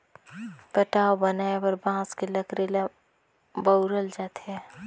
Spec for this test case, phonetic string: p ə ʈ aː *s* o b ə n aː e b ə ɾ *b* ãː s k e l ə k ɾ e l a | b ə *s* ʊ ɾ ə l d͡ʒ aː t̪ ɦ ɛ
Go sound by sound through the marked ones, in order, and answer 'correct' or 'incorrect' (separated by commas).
incorrect, correct, incorrect